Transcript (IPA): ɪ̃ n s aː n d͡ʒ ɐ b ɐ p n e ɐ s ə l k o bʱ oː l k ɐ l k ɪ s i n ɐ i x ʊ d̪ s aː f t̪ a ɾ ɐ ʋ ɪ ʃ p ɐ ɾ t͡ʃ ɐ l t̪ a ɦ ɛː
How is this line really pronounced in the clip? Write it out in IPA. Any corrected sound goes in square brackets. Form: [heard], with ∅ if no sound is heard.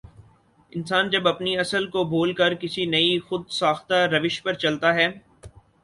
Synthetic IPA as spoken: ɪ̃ n s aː n d͡ʒ ɐ b ɐ p n [i] ɐ s ə l k o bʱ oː l k ɐ [ɾ] k ɪ s i n ɐ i x ʊ d̪ s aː [x] t̪ a ɾ ɐ ʋ ɪ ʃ p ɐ ɾ t͡ʃ ɐ l t̪ a ɦ ɛː